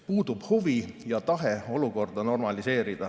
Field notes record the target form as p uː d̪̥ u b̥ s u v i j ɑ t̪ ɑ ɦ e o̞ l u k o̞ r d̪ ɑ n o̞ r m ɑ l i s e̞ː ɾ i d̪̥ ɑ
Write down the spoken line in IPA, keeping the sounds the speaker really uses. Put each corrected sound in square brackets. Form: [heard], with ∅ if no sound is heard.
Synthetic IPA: p uː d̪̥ u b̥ [h] u v i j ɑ t̪ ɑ ɦ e o̞ l u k o̞ r d̪ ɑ n o̞ r m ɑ l i s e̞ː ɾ i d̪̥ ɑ